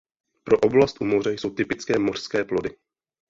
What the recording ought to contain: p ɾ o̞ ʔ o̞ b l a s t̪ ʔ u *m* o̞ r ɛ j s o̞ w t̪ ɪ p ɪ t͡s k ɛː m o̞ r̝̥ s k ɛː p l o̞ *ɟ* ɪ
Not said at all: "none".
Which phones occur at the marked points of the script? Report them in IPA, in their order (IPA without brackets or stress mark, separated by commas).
m, d